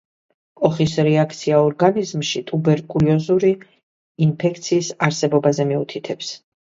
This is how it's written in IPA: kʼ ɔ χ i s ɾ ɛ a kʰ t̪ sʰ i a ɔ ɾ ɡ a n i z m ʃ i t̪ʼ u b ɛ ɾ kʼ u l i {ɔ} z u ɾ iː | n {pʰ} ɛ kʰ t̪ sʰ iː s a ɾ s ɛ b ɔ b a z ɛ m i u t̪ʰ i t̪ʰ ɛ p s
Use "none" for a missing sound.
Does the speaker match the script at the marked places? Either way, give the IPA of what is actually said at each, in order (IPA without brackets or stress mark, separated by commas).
ɔ, pʰ